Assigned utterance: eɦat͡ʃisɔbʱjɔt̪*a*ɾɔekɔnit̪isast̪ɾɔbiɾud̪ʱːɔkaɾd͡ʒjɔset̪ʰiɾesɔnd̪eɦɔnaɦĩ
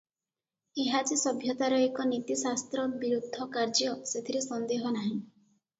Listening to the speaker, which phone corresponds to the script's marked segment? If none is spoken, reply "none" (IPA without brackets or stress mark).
a